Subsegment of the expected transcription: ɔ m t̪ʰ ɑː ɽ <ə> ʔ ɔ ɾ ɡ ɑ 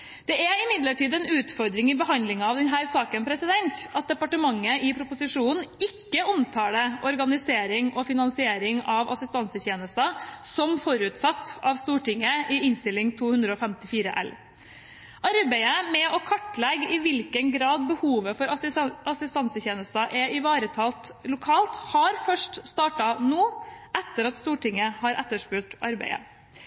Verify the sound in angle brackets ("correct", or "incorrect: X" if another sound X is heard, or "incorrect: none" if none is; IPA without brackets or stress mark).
correct